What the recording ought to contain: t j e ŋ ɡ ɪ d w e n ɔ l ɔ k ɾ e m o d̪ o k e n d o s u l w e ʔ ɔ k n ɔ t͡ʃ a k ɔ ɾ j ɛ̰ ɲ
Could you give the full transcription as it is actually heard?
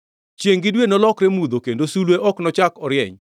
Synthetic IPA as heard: t͡ʃ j e ŋ ɡ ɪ d w e n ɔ l ɔ k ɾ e m u d̪ o k e n d o s u l w e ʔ ɔ k n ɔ t͡ʃ a k ɔ ɾ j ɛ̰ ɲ